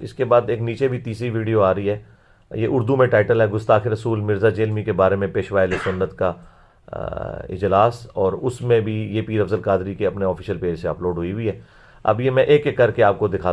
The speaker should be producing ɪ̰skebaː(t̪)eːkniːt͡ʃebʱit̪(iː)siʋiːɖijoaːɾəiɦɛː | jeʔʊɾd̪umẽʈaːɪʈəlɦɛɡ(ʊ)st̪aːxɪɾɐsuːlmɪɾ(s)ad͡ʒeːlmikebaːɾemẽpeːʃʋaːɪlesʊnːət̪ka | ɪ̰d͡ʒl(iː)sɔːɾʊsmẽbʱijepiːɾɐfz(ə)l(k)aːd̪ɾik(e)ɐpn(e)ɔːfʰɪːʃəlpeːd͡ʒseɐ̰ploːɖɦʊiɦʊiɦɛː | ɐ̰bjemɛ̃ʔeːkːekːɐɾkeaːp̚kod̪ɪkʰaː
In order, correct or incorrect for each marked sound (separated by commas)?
incorrect, correct, correct, incorrect, incorrect, correct, correct, correct, correct